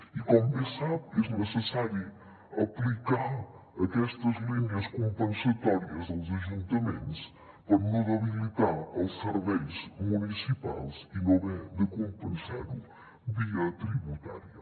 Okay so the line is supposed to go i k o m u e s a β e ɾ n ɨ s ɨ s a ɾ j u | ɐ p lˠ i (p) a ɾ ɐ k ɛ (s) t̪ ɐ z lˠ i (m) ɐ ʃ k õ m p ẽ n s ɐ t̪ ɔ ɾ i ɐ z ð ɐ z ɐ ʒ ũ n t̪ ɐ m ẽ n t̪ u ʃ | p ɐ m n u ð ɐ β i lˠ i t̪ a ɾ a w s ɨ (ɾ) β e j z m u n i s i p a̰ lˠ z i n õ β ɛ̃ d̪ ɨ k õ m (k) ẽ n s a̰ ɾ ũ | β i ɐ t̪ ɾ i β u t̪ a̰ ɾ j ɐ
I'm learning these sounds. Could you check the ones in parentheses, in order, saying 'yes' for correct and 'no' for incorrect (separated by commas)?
no, no, no, yes, no